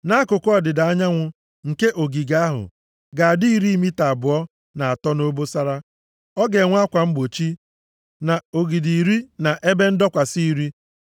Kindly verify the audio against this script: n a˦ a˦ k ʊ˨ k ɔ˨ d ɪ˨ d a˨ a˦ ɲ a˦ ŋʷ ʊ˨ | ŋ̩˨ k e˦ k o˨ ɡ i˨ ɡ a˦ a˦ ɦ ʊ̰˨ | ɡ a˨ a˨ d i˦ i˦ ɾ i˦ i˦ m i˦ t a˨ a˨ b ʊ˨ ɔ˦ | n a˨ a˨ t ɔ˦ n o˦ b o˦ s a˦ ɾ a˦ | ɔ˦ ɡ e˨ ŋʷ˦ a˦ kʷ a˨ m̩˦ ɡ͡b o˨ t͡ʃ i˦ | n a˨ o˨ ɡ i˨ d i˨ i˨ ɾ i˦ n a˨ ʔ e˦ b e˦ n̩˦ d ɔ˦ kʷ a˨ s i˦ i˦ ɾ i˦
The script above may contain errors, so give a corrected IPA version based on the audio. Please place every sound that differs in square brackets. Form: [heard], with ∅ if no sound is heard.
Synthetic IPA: n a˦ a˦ k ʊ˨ k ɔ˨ d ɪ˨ d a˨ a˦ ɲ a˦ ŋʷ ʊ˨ | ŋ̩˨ k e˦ [ʔ] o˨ ɡ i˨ ɡ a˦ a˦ ɦ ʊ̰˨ | ɡ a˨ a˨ d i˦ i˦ ɾ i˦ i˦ m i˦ t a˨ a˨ b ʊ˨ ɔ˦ | n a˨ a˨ t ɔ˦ n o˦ b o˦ s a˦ ɾ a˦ | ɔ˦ ɡ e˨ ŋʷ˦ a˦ kʷ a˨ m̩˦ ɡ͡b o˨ t͡ʃ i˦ | n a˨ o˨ ɡ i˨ d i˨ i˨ ɾ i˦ n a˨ ʔ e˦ b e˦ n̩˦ d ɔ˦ kʷ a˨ s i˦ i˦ ɾ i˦